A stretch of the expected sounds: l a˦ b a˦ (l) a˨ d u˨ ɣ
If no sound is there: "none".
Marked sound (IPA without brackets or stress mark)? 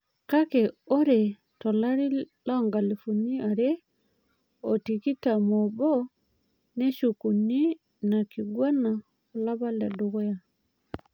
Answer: l